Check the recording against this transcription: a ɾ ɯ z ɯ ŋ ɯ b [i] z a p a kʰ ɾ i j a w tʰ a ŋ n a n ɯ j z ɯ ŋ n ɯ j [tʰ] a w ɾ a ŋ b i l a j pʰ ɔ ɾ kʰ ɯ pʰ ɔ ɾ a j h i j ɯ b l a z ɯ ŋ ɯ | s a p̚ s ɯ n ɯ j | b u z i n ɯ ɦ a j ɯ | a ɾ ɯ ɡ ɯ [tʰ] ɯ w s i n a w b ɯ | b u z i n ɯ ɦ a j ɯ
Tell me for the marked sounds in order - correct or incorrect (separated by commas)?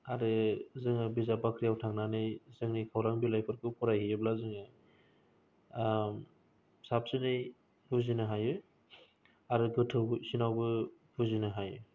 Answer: correct, incorrect, correct